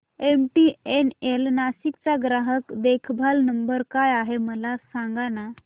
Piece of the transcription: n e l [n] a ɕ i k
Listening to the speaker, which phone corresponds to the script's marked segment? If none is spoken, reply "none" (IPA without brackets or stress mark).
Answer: n